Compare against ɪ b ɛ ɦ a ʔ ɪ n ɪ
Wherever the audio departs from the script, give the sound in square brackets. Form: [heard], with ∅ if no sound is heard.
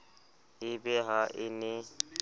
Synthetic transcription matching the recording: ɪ b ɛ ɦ a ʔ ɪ n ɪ